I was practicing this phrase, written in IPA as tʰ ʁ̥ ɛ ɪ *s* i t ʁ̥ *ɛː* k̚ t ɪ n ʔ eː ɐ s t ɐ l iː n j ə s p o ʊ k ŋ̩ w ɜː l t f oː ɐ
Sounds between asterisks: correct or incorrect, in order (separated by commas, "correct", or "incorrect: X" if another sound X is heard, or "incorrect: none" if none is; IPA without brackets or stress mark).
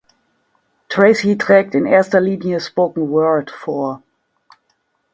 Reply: correct, correct